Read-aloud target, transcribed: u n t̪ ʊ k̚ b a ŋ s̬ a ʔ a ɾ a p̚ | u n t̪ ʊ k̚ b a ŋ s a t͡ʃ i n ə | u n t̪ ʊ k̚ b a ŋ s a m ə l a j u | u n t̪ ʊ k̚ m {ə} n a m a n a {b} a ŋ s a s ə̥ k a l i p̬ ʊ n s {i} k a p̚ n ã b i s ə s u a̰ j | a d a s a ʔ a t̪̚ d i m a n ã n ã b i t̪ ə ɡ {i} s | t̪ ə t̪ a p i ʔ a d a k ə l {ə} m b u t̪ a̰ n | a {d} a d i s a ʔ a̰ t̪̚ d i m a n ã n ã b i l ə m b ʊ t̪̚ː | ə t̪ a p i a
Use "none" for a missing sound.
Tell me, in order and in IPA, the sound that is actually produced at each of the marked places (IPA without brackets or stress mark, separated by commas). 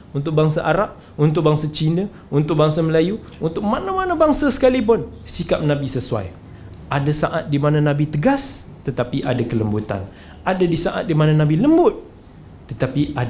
a, b, i, a, ə, d